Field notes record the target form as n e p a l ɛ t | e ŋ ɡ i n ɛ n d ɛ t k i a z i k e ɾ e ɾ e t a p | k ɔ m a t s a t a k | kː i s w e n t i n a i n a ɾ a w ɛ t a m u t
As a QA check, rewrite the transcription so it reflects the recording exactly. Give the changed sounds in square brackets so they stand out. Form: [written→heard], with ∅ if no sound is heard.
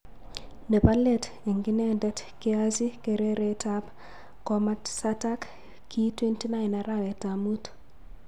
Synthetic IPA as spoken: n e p a l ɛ t | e ŋ ɡ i n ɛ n d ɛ t k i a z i k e ɾ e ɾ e t a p | k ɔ m a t s a t a k | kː i [s→t] w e n t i n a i n a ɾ a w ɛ t a m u t